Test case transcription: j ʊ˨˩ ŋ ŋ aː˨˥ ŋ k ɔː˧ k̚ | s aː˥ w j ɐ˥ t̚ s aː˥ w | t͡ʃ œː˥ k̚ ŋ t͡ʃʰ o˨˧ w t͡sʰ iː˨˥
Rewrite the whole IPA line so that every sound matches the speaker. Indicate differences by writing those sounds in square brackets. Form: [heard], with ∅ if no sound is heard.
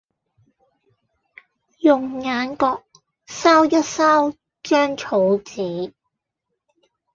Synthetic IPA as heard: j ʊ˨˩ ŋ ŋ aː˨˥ [n] k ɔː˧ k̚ | s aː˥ w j ɐ˥ t̚ s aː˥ w | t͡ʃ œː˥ [∅] ŋ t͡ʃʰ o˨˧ w [t͡s] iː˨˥